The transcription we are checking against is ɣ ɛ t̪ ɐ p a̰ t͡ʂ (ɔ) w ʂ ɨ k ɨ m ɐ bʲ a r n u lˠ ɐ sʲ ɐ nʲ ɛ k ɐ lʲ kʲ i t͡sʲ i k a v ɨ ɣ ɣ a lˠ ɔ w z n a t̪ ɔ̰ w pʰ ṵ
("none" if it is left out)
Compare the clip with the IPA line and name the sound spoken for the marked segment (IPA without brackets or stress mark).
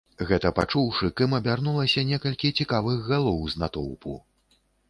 u